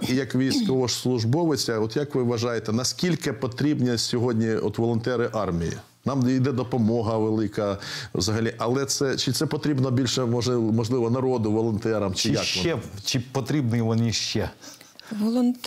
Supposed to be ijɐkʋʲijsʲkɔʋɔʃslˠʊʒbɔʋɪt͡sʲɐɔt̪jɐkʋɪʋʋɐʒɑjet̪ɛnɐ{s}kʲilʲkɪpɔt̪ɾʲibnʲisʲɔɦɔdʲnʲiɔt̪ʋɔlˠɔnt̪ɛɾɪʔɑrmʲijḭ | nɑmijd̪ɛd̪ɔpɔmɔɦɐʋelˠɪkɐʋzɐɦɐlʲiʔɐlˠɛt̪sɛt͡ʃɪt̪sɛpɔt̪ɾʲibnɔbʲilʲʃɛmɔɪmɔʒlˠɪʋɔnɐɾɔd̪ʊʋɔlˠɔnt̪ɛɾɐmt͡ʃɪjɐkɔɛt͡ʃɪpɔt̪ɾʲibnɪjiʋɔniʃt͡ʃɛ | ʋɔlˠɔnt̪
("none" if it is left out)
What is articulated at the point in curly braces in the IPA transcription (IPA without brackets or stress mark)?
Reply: s